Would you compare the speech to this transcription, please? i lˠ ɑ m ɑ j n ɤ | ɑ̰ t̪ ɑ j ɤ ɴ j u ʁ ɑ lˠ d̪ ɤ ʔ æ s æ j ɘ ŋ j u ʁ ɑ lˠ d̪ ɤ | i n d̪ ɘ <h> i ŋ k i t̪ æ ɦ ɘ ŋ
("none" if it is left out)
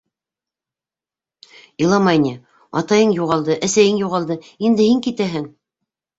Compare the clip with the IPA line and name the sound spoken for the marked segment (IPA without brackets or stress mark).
h